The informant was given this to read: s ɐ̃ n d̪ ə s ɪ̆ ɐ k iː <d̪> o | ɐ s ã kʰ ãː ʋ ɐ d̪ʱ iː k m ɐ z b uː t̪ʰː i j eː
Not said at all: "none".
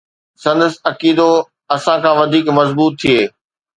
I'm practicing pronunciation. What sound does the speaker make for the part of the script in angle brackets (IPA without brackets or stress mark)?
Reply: d̪